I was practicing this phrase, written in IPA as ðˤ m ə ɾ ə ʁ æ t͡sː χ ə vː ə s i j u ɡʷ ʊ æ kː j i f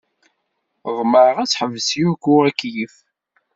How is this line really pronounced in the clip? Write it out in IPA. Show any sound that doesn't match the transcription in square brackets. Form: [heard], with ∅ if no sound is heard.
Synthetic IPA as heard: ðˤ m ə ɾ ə ʁ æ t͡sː [ħ] ə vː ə s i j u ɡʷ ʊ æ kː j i f